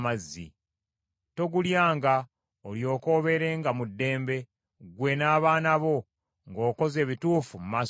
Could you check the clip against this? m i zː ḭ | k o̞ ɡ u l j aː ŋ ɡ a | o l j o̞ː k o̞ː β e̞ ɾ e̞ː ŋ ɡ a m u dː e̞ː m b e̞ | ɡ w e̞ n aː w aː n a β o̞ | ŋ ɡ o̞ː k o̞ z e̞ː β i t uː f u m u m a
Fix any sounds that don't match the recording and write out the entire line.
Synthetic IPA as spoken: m a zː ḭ | t o̞ ɡ u l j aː ŋ ɡ a | o l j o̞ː k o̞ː β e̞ ɾ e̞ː ŋ ɡ a m u dː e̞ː m b e̞ | ɡ w e̞ n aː β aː n a β o̞ | ŋ ɡ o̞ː k o̞ z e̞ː β i t uː f u m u m a